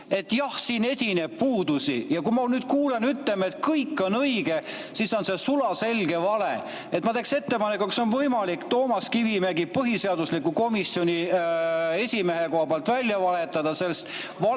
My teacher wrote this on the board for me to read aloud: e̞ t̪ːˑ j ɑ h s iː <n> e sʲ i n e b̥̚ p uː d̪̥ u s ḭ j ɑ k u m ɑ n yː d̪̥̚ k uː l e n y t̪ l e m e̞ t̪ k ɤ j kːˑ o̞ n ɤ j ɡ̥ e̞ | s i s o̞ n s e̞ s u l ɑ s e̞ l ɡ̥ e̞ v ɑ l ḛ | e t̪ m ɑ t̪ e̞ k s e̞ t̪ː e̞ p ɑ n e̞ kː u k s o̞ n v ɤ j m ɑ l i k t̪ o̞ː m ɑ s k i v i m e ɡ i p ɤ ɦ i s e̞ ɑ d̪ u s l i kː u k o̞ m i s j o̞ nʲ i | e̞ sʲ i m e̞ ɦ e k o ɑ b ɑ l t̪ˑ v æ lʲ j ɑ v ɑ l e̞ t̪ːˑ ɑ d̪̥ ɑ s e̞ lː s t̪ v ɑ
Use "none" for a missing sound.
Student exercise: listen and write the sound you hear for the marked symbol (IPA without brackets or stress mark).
n